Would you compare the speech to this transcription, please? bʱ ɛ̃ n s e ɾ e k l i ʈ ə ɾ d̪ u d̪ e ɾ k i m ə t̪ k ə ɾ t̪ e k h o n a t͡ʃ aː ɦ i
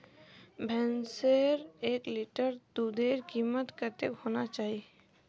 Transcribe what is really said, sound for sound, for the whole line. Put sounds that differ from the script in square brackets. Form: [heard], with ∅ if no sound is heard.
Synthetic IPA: bʱ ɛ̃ n s e ɾ e k l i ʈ ə ɾ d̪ u d̪ e ɾ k i m ə t̪ k ə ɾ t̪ e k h o n a t͡ʃ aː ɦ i

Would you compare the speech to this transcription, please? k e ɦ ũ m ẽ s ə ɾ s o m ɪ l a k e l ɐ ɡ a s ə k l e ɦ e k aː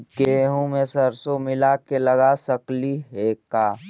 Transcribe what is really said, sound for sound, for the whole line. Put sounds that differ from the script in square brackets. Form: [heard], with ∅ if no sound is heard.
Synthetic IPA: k e ɦ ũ m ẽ s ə ɾ s o m ɪ l a k e l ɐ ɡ a s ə k l [i] ɦ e k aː

